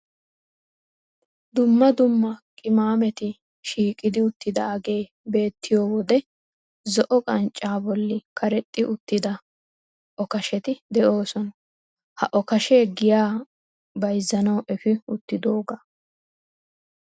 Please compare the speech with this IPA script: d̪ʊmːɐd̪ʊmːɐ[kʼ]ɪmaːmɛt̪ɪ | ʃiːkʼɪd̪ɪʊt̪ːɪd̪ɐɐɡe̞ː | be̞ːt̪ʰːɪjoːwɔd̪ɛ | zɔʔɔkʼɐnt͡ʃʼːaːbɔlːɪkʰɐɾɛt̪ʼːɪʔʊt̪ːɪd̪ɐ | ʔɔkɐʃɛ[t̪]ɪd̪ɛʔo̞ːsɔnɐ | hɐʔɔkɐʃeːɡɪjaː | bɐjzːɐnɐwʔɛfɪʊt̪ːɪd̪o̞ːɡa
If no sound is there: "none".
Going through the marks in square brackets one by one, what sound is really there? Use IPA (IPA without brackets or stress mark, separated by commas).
kʼ, t̪